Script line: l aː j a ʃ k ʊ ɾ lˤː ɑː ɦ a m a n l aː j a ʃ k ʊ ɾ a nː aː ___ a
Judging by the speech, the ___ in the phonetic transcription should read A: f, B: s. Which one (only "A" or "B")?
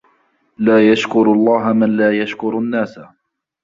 B